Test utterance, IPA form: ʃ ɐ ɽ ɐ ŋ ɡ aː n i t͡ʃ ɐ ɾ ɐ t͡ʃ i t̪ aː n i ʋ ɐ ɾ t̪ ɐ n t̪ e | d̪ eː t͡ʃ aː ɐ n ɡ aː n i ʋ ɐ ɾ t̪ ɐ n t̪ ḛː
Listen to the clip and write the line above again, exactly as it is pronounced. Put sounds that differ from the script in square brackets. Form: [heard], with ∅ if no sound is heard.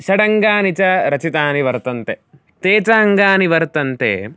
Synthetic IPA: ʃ ɐ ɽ ɐ ŋ ɡ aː n i t͡ʃ ɐ ɾ ɐ t͡ʃ i t̪ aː n i ʋ ɐ ɾ t̪ ɐ n t̪ e | [t̪] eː t͡ʃ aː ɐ [ŋ] ɡ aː n i ʋ ɐ ɾ t̪ ɐ n t̪ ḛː